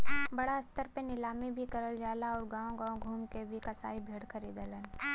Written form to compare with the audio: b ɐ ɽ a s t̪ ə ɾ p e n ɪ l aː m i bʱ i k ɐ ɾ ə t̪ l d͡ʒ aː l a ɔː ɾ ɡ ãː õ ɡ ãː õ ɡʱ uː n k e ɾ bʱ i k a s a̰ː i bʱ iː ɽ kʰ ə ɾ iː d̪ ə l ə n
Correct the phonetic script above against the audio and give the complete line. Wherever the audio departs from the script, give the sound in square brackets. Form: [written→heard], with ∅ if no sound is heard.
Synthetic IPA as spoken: b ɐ ɽ a s t̪ ə ɾ p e n ɪ l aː m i bʱ i k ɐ ɾ ə [t̪→∅] l d͡ʒ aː l a ɔː ɾ ɡ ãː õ ɡ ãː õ ɡʱ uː [n→m] k e [ɾ→∅] bʱ i k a s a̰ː i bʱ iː ɽ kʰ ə ɾ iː d̪ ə l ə n